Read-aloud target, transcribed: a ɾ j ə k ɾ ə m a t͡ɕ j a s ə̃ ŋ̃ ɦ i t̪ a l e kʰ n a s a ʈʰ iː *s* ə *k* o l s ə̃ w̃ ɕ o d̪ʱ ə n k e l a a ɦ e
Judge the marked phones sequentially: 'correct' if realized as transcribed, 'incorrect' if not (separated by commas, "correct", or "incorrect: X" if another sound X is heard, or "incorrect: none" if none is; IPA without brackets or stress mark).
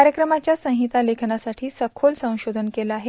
correct, incorrect: kʰ